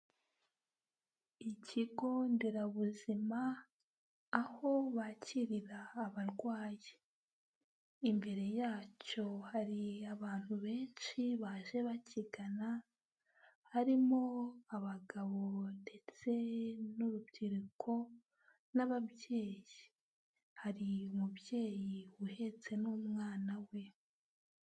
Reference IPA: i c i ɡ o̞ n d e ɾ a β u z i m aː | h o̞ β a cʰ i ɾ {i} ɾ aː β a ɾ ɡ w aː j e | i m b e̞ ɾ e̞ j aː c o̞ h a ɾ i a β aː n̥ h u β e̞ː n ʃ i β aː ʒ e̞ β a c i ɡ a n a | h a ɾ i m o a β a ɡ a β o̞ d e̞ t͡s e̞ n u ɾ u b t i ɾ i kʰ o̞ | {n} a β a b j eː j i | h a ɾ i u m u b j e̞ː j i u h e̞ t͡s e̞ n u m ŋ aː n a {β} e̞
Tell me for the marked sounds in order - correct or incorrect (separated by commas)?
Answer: correct, correct, incorrect